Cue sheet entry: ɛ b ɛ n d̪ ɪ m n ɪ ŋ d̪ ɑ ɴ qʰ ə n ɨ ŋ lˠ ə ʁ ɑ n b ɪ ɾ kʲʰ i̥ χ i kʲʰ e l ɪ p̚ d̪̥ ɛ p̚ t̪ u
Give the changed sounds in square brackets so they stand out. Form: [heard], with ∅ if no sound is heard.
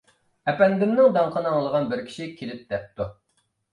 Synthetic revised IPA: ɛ [p] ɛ n d̪ ɪ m n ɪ ŋ d̪ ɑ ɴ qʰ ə n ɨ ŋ lˠ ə ʁ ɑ n b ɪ ɾ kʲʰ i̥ [ʃ] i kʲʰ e l ɪ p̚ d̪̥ ɛ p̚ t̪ u